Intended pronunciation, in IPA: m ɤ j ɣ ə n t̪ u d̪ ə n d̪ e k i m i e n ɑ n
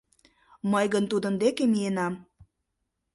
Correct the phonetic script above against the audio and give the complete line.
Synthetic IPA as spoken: m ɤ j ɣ ə n t̪ u d̪ ə n d̪ e k e m i e n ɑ m